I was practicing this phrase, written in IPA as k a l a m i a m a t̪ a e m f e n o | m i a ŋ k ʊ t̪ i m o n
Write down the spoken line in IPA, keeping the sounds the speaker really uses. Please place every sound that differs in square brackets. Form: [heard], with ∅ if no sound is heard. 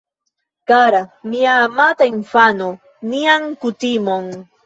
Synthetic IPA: k a [ɾ] a m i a m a t̪ a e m f [a] n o | [n] i a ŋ k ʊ t̪ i m o [ŋ]